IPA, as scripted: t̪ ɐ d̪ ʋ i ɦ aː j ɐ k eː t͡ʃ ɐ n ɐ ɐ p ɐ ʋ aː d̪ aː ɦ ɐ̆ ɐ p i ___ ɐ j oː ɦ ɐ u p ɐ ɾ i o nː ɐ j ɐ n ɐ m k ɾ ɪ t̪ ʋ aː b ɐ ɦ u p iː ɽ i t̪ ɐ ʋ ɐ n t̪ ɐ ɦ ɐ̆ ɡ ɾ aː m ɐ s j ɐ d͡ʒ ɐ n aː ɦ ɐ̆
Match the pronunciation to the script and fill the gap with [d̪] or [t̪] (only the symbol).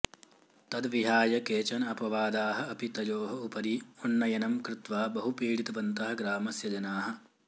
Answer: t̪